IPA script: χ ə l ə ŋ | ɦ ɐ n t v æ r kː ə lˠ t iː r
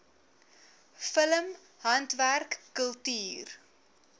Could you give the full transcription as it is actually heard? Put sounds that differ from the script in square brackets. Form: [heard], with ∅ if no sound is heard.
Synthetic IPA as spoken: [f] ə l ə [m] | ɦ ɐ n t v æ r kː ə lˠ t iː r